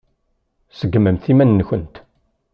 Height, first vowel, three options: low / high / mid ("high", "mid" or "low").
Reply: mid